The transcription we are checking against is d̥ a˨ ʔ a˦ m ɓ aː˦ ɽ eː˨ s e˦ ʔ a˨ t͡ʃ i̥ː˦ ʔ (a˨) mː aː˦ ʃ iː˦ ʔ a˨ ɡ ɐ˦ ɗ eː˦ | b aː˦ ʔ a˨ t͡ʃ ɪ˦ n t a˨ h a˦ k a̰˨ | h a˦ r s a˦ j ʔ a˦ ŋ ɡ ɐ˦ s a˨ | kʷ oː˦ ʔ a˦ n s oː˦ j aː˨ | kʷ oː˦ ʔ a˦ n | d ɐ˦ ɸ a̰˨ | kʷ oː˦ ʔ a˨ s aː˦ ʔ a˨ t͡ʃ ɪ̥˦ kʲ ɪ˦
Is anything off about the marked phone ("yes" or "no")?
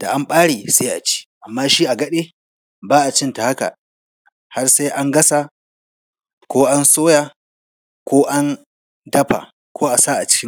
no